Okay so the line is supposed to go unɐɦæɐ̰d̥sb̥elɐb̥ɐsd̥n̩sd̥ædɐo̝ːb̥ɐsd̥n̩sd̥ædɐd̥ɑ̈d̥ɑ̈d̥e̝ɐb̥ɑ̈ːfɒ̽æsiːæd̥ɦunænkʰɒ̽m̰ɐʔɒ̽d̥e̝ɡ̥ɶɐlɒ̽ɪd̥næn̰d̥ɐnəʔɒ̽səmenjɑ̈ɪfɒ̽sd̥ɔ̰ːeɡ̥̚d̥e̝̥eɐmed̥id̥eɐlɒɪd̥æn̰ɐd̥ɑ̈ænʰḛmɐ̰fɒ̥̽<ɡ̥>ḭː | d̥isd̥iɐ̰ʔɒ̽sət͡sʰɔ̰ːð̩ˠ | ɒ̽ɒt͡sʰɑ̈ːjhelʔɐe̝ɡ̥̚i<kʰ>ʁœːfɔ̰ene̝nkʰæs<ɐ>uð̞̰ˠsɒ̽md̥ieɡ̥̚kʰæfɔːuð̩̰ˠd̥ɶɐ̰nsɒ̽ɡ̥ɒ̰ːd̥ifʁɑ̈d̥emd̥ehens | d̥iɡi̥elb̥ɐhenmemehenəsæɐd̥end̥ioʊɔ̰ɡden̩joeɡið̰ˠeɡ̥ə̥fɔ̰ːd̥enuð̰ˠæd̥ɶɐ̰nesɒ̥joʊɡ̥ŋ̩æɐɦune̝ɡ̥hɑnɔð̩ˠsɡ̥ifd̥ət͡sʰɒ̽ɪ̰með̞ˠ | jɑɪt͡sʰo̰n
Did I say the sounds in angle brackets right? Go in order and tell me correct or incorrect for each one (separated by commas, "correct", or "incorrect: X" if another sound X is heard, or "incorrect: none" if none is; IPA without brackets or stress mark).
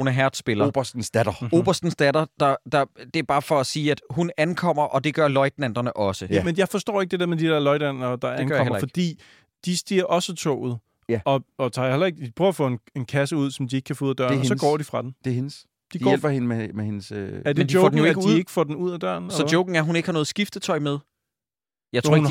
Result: incorrect: d̥, incorrect: pʰ, incorrect: ə